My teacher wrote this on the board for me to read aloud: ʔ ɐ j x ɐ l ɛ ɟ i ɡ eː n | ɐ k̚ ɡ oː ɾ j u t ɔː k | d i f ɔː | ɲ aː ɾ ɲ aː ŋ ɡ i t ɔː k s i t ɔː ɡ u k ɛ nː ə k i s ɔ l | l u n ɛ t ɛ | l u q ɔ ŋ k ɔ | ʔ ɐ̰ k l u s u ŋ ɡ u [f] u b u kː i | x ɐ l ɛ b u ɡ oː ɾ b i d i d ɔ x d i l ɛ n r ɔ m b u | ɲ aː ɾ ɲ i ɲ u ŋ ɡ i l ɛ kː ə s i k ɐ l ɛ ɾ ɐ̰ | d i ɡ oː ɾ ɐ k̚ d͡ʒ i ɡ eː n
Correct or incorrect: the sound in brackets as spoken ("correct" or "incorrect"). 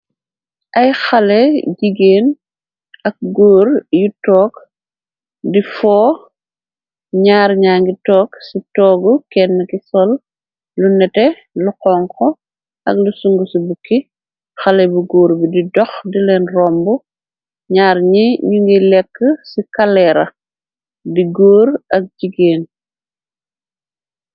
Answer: incorrect